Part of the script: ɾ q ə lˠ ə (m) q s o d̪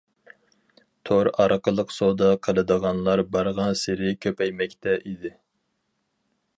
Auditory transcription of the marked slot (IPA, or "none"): none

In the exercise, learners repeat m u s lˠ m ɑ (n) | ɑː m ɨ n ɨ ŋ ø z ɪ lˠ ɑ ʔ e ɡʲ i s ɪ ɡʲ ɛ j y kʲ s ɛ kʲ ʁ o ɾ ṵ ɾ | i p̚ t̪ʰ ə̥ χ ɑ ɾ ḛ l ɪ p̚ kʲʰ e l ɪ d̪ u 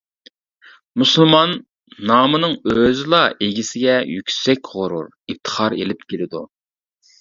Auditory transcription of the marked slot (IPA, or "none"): nː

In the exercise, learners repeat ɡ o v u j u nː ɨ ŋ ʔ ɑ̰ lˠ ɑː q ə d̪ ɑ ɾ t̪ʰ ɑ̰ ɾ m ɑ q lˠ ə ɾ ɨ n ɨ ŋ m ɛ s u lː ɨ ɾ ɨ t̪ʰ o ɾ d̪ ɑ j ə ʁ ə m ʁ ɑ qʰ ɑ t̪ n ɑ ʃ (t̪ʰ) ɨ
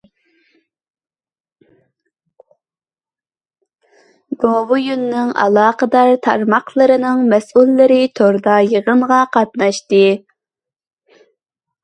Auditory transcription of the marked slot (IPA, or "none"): t̪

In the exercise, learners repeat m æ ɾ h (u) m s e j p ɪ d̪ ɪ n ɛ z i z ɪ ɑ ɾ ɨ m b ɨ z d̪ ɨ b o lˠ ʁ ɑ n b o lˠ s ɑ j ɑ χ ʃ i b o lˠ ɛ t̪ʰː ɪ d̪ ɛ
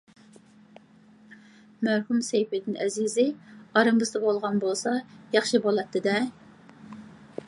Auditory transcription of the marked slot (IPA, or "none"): u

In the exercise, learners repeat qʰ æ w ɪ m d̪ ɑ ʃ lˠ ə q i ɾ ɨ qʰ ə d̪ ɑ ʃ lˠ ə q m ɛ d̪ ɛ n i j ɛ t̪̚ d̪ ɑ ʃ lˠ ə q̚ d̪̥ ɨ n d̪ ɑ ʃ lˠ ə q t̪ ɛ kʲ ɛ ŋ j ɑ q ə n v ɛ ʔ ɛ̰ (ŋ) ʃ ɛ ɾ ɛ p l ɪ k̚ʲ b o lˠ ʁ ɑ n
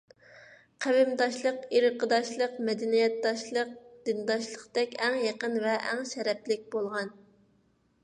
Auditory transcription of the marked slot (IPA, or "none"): ŋ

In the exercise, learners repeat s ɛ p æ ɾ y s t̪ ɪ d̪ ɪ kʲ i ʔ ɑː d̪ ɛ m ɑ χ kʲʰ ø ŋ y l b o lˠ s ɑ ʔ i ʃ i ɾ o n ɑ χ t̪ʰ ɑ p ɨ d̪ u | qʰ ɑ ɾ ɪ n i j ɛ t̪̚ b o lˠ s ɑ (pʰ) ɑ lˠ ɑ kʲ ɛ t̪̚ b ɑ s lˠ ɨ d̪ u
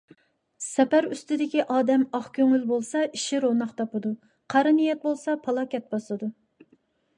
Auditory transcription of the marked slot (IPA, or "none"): pʰ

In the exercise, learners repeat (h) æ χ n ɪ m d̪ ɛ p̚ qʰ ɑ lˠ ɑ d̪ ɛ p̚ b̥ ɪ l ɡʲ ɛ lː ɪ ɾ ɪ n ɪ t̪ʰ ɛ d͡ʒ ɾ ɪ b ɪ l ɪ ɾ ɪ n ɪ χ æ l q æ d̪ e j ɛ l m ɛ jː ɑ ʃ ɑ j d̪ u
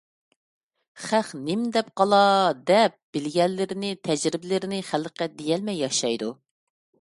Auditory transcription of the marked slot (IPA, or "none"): χ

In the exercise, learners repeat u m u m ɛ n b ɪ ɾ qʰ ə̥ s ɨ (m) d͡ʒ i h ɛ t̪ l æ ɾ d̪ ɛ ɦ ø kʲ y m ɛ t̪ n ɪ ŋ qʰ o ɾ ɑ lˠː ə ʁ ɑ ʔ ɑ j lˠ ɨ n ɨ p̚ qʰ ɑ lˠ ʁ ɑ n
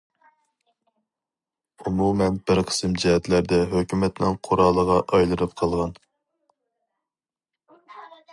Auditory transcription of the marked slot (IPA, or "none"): m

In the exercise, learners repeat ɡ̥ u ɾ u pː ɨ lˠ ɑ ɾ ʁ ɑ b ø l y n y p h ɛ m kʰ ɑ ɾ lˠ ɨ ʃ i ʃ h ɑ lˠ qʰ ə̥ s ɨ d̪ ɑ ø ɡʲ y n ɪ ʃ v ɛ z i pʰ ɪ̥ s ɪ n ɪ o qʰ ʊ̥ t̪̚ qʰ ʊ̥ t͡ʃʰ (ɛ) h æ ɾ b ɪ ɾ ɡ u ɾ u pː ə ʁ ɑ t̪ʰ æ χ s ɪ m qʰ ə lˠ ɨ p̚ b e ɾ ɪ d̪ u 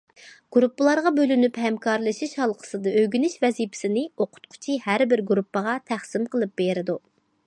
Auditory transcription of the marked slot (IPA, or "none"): i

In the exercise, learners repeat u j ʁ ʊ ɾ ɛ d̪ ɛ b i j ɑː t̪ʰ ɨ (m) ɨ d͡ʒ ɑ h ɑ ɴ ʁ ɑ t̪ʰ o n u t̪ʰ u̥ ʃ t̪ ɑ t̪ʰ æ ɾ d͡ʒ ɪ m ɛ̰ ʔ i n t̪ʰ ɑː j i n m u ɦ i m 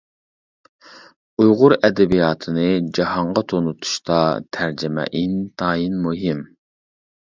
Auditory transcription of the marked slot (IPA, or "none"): n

